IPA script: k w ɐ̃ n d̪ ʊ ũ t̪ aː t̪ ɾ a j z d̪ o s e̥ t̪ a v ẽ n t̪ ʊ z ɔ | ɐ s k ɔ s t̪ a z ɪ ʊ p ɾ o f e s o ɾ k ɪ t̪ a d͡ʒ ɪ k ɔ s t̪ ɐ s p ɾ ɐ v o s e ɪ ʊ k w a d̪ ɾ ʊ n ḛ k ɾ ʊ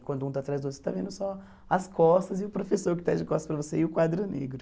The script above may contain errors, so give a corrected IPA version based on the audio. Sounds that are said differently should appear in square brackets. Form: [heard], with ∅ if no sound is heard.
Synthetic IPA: k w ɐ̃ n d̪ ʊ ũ t̪ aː t̪ ɾ a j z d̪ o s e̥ t̪ a v ẽ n [d̪] ʊ [s] ɔ | ɐ s k ɔ s t̪ [ɐ] z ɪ ʊ p ɾ o f e s o ɾ k ɪ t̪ a d͡ʒ ɪ k ɔ s t̪ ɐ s p ɾ ɐ v o s e ɪ ʊ k w a d̪ ɾ ʊ n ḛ [ɡ] ɾ ʊ